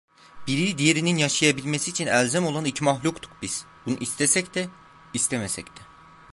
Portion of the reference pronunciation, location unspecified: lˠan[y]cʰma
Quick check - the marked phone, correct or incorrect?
incorrect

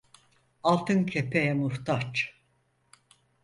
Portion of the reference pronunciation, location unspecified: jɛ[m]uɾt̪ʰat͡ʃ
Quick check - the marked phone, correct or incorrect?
correct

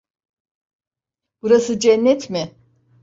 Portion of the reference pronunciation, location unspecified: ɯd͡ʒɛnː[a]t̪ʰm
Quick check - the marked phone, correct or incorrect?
incorrect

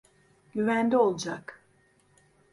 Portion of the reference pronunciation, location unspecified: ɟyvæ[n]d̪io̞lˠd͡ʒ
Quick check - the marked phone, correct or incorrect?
correct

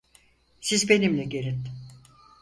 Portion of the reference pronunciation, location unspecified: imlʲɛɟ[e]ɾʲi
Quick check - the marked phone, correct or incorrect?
correct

